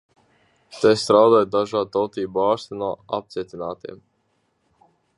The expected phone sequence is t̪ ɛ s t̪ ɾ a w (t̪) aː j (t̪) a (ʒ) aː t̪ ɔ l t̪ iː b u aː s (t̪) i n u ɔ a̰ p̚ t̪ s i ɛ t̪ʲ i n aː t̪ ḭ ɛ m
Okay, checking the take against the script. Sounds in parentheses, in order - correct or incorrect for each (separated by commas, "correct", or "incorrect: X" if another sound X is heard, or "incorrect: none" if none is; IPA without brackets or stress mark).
incorrect: d̪, incorrect: d̪, correct, correct